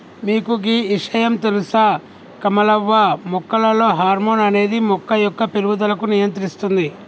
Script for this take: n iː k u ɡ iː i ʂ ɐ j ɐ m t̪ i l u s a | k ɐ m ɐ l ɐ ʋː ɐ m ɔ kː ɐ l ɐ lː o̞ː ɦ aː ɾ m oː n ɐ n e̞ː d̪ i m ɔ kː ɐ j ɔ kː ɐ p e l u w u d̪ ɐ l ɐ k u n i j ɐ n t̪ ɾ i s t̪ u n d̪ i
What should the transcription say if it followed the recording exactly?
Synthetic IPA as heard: m iː k u ɡ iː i ʂ ɐ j ɐ m t̪ e l u s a | k ɐ m ɐ l ɐ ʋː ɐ m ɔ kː ɐ l ɐ l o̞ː ɦ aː ɾ m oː n ɐ n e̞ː d̪ i m ɔ kː ɐ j ɔ kː ɐ p e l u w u d̪ ɐ l ɐ k u n i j ɐ n t̪ ɾ i s t̪ u n d̪ i